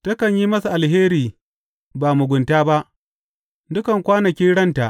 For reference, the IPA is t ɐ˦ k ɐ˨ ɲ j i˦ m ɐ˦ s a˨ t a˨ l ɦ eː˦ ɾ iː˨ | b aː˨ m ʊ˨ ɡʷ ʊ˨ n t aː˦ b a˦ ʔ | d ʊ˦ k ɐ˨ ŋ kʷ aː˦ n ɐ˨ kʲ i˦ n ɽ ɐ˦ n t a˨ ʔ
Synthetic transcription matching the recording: t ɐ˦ k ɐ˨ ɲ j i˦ m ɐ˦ s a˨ ʔ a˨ l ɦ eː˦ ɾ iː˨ | b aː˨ m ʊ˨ ɡʷ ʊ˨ n t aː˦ b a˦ ʔ | d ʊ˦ k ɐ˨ ŋ kʷ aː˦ n ɐ˨ kʲ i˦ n ɽ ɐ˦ n t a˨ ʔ